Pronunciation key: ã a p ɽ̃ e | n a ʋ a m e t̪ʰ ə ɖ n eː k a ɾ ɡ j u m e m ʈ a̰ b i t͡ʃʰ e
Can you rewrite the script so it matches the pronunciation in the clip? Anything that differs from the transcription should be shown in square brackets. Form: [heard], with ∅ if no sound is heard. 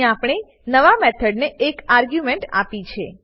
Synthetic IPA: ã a p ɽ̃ e | n [ə] ʋ a m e t̪ʰ ə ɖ n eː k a ɾ ɡ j u m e [ɳ] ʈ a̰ [p] i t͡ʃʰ e